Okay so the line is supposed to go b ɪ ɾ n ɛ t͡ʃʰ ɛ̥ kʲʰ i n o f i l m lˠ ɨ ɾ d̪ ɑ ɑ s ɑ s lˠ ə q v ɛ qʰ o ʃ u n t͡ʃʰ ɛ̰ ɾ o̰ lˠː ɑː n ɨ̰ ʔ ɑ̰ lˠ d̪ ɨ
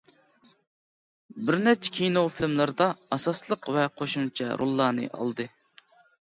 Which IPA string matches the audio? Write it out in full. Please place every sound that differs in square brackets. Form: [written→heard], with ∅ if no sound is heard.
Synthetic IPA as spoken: b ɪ ɾ n ɛ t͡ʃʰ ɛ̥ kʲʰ i n o f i l m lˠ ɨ ɾ d̪ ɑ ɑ s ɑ s lˠ ə q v ɛ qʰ o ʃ u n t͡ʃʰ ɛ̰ ɾ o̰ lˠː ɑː n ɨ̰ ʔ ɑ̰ lˠ d̪ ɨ